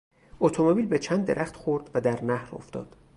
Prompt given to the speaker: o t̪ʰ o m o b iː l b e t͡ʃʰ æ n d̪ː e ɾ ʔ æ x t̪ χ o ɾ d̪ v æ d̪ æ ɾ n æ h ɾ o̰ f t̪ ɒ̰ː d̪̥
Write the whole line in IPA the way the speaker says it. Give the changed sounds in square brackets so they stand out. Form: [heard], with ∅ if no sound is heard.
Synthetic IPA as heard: o t̪ʰ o m o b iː l b e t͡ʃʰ æ n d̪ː e ɾ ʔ æ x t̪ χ o ɾ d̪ v æ d̪ æ ɾ n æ h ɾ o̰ f t̪ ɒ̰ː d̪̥